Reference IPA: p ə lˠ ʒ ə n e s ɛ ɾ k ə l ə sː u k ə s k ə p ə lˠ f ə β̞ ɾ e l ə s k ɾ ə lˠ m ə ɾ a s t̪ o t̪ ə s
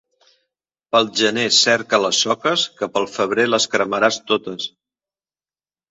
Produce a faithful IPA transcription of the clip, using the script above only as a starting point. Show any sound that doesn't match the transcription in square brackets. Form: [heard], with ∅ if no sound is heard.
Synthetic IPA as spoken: p ə lˠ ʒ ə n e s ɛ ɾ k ə l ə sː [ɔ] k ə s k ə p ə lˠ f ə β̞ ɾ e l ə s k ɾ ə [∅] m ə ɾ a s t̪ o t̪ ə s